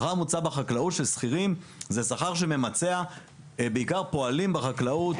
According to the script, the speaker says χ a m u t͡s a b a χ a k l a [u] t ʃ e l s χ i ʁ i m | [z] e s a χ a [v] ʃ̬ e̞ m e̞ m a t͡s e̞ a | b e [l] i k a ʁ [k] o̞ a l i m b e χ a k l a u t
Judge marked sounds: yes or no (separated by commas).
yes, yes, no, no, no